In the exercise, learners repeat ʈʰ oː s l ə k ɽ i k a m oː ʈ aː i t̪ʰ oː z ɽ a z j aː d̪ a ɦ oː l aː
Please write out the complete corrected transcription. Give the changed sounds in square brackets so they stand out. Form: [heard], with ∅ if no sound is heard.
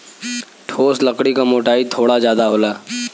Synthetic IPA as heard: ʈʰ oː s l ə k ɽ i k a m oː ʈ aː i t̪ʰ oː [∅] ɽ a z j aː d̪ a ɦ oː l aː